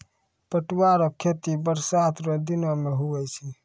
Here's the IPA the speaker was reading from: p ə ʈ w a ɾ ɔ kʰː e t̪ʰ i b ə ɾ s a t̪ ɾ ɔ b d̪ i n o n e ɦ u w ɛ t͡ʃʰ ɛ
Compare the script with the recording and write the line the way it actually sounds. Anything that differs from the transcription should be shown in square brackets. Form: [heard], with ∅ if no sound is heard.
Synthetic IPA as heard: p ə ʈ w a ɾ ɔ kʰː e [t̪] i b ə ɾ s a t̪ ɾ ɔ [∅] d̪ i n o [m] e ɦ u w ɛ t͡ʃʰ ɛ